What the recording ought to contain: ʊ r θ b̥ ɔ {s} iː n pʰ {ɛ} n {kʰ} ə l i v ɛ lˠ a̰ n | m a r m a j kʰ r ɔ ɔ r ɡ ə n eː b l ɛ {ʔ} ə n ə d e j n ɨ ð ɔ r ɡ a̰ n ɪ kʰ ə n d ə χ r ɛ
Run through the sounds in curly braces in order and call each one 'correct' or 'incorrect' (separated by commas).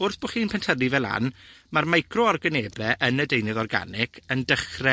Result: incorrect, correct, incorrect, correct